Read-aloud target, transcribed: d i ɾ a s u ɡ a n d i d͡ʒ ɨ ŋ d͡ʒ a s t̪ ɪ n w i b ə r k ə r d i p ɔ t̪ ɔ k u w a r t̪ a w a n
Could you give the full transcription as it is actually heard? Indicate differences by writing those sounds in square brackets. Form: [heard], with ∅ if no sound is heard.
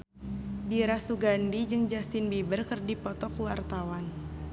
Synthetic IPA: d i ɾ a s u ɡ a n d i d͡ʒ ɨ ŋ d͡ʒ a s t̪ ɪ n [b] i b ə r k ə r d i p ɔ t̪ ɔ k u w a r t̪ a w a n